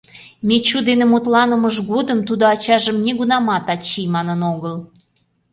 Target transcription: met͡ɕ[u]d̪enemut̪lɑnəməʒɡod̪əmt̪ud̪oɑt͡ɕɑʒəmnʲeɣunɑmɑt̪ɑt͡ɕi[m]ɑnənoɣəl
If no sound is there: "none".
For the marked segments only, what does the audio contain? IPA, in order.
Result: u, m

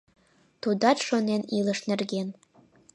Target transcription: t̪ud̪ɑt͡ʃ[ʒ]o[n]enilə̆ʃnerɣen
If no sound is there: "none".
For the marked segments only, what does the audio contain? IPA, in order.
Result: ʃ, n

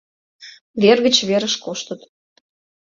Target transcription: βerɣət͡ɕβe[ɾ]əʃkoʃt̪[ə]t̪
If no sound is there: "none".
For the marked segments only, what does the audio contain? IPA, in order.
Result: ɾ, ə

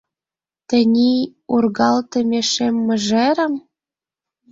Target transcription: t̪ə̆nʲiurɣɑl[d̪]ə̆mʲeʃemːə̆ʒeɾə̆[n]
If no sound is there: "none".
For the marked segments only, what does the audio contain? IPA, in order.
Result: t̪, m

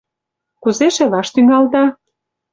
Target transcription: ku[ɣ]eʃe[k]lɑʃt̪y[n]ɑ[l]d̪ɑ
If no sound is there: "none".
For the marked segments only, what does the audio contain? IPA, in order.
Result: z, none, ŋ, l

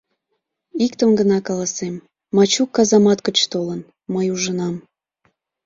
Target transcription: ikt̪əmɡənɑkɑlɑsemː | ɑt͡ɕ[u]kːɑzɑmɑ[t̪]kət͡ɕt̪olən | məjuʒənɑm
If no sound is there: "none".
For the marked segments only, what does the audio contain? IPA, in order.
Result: u, t̪

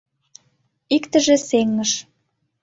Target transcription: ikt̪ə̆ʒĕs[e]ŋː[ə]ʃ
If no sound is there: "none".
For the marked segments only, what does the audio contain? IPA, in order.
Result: e, ə

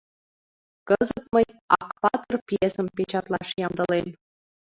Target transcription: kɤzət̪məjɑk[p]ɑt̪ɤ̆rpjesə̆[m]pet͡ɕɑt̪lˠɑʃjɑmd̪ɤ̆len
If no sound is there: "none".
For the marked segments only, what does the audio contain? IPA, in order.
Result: p, m

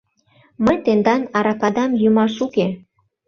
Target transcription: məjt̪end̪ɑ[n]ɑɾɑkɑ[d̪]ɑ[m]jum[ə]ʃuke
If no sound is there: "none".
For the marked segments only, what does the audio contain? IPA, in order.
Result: n, d̪, m, ɑ

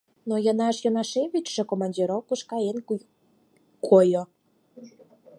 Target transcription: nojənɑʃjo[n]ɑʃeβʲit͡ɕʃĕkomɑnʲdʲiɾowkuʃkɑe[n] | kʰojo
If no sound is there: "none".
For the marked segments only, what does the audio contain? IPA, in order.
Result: n, n

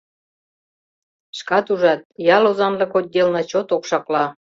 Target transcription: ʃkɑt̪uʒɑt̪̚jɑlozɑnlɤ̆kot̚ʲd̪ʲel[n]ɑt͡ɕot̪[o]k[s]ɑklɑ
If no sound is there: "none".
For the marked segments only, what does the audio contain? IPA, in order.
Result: n, o, ʃ

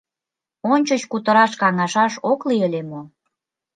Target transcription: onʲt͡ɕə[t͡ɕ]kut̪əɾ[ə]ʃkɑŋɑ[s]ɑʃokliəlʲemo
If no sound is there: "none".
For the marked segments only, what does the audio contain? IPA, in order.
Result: t͡ɕ, ɑ, ʃ

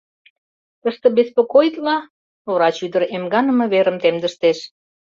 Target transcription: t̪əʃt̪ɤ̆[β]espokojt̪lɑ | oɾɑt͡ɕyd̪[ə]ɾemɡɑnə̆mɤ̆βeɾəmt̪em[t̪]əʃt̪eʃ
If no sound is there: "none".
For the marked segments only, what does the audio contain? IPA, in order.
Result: b, ə, d̪

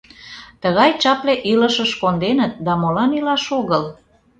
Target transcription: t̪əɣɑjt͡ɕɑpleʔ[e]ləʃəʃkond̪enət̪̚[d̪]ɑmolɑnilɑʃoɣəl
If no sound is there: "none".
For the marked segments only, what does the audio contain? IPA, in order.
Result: i, d̪

